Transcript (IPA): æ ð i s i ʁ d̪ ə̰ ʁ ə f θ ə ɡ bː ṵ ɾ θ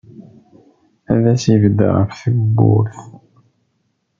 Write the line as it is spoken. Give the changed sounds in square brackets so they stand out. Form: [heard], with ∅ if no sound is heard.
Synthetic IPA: æ ð [æ] s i [v] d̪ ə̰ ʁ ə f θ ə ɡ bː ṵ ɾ θ